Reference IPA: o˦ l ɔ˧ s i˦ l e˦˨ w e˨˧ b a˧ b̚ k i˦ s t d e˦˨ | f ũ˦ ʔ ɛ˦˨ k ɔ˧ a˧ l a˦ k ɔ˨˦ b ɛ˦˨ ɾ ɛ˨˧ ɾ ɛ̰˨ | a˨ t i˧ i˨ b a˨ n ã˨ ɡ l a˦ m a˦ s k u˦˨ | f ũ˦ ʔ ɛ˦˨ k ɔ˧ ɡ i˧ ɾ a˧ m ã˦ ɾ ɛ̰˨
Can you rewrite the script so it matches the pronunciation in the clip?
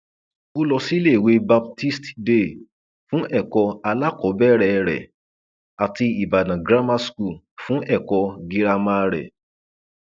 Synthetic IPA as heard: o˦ l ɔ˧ s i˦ l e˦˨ w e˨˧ b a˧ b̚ t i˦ s t d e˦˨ | f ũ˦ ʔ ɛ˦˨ k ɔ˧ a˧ l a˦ k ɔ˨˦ b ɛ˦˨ ɾ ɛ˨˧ ɾ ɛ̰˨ | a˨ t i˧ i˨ b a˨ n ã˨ ɡ ɾ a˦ m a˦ s k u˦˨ | f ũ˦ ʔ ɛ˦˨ k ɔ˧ ɡ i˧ ɾ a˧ m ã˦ ɾ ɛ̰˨